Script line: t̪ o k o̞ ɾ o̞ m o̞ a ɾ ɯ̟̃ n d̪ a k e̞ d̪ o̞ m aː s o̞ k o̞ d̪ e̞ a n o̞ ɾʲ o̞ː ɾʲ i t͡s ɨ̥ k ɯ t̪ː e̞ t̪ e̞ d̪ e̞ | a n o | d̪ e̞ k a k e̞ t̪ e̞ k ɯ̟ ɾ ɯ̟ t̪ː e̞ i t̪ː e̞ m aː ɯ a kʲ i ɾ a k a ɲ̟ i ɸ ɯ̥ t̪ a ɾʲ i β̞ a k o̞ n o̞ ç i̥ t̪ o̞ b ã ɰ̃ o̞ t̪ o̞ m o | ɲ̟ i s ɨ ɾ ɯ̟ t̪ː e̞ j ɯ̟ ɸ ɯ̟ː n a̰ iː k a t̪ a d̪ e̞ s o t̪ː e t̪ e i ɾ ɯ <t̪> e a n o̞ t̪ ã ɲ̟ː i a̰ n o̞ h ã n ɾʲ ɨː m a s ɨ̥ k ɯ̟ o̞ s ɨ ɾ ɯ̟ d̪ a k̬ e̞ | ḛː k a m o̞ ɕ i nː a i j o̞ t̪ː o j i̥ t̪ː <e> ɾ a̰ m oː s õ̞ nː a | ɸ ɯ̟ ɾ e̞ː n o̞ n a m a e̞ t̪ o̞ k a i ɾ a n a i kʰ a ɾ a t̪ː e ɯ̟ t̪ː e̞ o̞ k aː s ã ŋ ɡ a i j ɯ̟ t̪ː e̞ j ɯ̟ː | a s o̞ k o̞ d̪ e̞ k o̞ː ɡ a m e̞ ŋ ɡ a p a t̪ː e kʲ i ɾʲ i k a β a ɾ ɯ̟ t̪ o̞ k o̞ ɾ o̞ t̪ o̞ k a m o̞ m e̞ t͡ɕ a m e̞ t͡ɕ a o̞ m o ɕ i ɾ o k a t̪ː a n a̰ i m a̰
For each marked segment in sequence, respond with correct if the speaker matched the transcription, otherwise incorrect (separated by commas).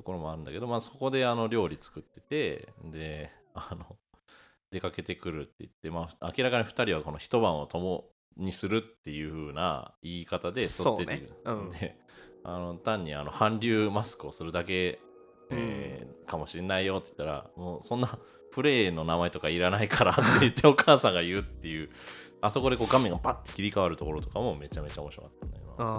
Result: incorrect, incorrect